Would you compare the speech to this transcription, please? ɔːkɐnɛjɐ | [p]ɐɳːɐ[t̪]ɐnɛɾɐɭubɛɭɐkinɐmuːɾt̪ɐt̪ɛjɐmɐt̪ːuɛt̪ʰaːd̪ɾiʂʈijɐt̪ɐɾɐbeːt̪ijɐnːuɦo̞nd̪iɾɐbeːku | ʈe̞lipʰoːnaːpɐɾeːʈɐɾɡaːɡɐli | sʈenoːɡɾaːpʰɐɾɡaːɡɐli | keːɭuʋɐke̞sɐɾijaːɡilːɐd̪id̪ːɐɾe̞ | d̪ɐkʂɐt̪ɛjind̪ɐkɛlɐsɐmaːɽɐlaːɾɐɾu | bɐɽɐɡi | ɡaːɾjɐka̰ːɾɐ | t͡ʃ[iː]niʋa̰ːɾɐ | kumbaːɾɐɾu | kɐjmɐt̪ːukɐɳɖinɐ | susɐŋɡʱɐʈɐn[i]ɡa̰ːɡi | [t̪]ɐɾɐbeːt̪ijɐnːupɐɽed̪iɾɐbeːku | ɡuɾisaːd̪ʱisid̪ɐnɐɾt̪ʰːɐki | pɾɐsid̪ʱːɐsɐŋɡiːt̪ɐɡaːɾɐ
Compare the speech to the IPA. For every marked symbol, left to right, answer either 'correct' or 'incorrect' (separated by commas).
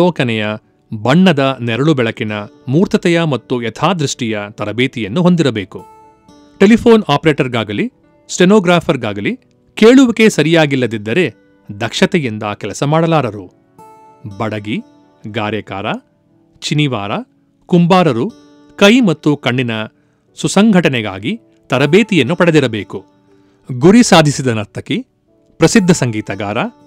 incorrect, incorrect, incorrect, incorrect, correct